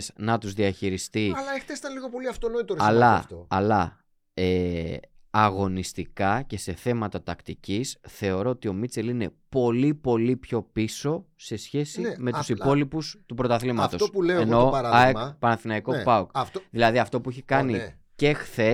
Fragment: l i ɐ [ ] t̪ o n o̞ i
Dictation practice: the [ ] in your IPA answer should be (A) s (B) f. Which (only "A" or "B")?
B